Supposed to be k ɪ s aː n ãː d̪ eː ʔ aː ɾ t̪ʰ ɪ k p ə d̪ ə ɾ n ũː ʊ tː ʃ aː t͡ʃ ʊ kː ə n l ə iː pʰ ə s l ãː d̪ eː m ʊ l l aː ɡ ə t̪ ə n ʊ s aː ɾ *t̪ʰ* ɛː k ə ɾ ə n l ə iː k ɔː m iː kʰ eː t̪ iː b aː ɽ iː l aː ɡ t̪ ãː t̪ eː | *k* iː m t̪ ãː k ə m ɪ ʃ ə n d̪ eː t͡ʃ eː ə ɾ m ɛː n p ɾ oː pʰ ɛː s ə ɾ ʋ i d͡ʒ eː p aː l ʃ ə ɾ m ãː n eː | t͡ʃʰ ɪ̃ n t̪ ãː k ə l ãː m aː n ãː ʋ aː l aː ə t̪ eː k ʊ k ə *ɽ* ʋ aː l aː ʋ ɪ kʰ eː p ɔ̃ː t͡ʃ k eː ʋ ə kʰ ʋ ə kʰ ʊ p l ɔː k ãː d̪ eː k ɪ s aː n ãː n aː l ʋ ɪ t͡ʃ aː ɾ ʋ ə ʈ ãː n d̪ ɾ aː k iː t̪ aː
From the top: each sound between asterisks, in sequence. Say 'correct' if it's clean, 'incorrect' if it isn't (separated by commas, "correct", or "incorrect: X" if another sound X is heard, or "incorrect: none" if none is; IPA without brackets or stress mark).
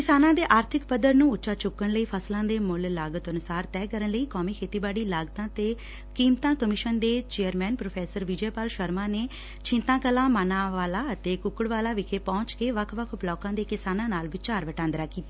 incorrect: t̪, correct, correct